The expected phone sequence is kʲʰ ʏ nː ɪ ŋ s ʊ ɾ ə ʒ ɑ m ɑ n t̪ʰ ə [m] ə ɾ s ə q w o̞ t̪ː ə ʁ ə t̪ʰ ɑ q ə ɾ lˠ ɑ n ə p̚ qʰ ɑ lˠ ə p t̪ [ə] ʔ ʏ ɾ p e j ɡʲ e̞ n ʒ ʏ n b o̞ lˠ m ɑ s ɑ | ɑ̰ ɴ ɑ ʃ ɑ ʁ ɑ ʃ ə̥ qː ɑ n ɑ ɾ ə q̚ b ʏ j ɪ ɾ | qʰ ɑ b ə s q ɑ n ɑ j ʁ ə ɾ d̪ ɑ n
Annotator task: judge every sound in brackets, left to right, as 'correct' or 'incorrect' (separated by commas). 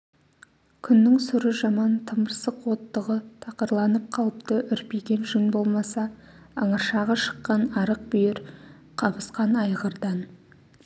correct, correct